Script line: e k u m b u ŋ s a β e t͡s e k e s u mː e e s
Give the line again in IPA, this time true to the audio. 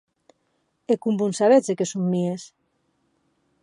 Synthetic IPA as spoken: e k u m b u n s a β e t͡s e k e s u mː i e s